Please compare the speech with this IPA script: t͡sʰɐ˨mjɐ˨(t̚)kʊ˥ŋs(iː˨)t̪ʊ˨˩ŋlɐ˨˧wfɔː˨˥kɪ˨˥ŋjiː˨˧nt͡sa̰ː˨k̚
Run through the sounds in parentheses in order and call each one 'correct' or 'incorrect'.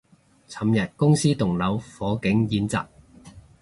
correct, incorrect

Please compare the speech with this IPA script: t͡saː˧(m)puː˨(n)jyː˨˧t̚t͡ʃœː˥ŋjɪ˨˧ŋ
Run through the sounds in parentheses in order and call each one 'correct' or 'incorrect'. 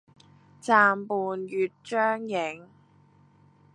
correct, correct

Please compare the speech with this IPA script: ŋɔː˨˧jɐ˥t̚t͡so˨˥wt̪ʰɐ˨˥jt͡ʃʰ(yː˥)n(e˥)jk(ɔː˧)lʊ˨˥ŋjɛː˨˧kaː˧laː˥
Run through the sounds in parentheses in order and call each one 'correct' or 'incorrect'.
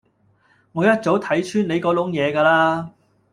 correct, incorrect, incorrect

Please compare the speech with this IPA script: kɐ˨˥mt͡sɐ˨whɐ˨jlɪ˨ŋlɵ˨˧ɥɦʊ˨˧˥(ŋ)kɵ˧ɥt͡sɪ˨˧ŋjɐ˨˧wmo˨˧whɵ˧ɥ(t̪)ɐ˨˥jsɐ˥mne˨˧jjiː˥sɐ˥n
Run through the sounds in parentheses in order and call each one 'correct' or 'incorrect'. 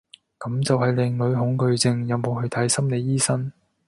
correct, incorrect

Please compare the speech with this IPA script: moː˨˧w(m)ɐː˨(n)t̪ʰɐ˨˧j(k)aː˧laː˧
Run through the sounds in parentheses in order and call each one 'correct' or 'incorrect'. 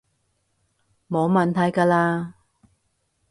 correct, correct, correct

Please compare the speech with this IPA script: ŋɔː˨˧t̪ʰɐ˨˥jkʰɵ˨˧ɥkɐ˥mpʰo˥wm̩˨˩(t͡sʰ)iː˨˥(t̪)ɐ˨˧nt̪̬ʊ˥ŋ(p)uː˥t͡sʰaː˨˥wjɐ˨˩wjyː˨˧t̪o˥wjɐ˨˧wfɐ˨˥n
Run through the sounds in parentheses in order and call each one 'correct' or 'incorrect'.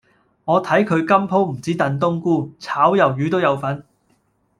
incorrect, correct, incorrect

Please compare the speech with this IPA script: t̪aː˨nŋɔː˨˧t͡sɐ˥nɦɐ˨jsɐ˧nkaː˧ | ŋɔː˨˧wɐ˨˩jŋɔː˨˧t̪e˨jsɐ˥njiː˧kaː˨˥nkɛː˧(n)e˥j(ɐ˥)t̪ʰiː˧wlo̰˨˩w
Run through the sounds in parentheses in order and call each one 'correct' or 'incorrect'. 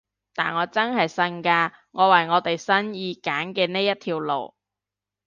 correct, correct

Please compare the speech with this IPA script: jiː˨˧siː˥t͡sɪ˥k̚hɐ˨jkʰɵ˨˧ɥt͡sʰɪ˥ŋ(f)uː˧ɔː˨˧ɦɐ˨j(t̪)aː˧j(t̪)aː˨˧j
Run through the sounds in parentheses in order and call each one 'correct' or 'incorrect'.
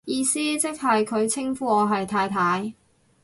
correct, incorrect, incorrect

